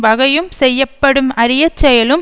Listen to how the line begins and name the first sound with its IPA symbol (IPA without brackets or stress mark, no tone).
ʋ